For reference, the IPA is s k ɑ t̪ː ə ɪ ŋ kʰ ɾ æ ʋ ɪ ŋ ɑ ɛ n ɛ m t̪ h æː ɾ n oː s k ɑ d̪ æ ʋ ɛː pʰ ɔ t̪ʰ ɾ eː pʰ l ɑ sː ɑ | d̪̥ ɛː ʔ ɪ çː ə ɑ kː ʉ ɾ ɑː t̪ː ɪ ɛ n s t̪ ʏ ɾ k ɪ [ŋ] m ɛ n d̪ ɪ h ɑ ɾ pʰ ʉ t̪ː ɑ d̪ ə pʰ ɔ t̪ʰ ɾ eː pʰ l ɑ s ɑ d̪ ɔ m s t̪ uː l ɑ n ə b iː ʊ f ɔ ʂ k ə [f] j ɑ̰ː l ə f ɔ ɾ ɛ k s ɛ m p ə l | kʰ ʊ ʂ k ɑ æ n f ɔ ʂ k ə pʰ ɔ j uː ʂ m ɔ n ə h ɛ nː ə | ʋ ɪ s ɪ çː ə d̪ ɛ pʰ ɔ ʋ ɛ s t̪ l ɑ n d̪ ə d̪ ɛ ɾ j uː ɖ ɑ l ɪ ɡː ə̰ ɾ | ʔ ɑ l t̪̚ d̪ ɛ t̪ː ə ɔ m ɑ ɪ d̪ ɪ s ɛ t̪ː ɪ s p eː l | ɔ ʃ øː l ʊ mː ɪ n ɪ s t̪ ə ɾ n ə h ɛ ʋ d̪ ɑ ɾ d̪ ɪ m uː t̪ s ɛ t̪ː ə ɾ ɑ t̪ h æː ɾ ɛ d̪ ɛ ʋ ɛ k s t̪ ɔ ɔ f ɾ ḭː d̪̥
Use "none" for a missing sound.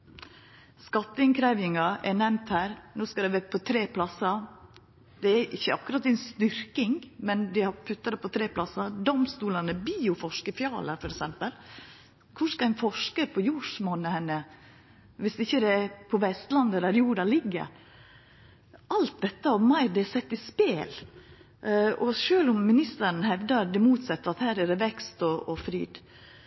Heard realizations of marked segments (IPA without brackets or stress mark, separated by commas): ŋ, f